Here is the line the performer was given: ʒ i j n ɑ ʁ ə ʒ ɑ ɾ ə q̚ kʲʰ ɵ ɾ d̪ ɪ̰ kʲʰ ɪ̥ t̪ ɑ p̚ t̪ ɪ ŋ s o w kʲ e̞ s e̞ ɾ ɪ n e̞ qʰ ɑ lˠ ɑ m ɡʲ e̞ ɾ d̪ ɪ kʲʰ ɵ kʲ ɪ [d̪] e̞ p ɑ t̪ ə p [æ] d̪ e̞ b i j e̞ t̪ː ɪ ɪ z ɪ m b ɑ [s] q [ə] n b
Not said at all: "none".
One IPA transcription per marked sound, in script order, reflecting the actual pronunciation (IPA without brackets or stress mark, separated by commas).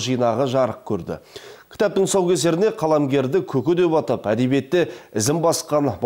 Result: d̪, æ, s, ɑ